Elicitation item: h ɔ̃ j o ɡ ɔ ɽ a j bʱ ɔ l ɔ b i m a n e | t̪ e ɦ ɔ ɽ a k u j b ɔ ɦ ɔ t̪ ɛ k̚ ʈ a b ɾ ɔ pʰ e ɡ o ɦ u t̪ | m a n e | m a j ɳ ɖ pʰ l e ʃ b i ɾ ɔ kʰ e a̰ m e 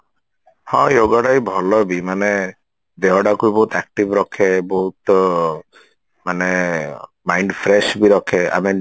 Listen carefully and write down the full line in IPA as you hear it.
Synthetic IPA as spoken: h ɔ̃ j o ɡ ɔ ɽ a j bʱ ɔ l ɔ b i m a n e | d̪ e ɦ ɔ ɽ a k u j b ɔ ɦ u t̪ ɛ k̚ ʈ i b ɾ ɔ kʰ e b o ɦ u t̪ | m a n e | m a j ɳ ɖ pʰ ɾ e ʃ b i ɾ ɔ kʰ e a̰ m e

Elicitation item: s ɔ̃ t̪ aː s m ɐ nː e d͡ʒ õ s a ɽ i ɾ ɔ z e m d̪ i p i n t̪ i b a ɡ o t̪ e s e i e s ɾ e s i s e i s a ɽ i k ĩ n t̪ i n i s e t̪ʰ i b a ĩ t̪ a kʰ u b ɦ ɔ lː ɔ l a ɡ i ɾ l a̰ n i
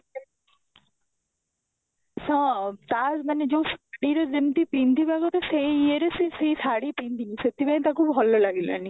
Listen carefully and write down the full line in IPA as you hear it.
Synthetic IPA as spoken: s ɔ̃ t̪ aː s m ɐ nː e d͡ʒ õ s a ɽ i ɾ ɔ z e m t̪ i p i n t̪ i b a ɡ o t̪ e s e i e ɾ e s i s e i s a ɽ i p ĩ n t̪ i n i s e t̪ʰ i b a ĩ t̪ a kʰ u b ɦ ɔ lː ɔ l a ɡ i l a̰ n i

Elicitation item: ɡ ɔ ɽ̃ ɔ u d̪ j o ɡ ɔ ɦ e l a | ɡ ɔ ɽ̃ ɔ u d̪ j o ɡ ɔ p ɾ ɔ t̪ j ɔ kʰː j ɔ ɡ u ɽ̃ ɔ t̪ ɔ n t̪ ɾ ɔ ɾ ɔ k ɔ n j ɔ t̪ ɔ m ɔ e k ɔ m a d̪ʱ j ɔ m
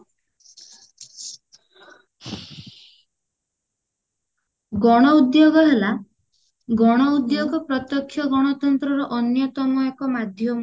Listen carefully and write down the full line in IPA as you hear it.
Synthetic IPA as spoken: ɡ ɔ ɽ̃ ɔ u d̪ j o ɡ ɔ ɦ e l a | ɡ ɔ ɽ̃ ɔ u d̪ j o ɡ ɔ p ɾ ɔ t̪ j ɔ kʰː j ɔ ɡ ɔ ɽ̃ ɔ t̪ ɔ n t̪ ɾ ɔ ɾ ɔ ʔ ɔ n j ɔ t̪ ɔ m ɔ e k ɔ m a d̪ʱ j ɔ m

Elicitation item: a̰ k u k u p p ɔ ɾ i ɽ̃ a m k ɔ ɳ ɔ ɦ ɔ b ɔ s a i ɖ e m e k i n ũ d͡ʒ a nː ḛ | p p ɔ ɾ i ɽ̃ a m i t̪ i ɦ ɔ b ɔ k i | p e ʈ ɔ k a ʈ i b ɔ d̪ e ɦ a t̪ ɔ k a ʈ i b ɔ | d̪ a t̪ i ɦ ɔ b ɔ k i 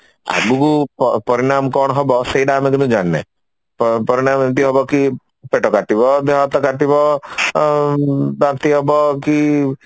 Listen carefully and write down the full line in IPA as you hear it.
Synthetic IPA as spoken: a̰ ɡ u k u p p ɔ ɾ i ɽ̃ a m k ɔ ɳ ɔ ɦ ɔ b ɔ s e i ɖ a m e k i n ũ d͡ʒ a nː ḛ | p p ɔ ɾ i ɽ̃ a m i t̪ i ɦ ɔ b ɔ k i | p e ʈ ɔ k a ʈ i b ɔ d̪ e ɦ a t̪ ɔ k a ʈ i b ɔ | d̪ a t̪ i ɦ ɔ b ɔ k i

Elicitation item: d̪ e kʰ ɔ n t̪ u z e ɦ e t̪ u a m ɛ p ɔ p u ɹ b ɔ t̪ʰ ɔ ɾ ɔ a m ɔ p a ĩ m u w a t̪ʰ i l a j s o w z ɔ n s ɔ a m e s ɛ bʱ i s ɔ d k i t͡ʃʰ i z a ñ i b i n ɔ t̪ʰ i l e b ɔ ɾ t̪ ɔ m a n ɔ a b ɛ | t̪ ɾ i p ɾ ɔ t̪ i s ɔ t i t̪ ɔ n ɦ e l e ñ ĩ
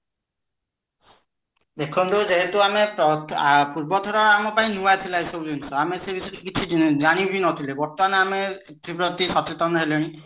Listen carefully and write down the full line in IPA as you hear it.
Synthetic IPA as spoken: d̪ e kʰ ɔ n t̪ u z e ɦ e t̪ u a m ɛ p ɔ p u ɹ b ɔ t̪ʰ ɔ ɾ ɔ a m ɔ p a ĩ n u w a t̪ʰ i l a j s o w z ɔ n s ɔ a m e s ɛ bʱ i s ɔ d k i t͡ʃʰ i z a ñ i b i n ɔ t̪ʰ i l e b ɔ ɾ t̪ ɔ m a n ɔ a m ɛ | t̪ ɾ i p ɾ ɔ t̪ i s ɔ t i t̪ ɔ n ɦ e l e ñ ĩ

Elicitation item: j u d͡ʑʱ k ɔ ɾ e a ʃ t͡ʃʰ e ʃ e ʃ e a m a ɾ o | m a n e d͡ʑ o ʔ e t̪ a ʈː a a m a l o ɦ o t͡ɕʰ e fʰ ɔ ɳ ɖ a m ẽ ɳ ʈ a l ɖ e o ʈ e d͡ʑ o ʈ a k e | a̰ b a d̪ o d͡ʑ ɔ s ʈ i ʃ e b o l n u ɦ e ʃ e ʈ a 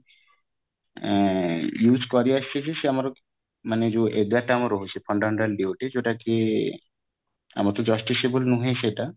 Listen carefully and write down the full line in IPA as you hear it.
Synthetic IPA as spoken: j u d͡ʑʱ k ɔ ɾ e a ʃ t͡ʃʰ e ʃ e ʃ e a m a ɾ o | m a n e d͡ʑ o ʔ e d̪ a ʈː a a m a ɾ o ɦ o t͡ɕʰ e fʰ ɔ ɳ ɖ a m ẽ ɳ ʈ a l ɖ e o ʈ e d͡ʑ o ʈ a k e | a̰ m a t̪ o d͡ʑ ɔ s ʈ i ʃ e b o l n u ɦ e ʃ e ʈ a

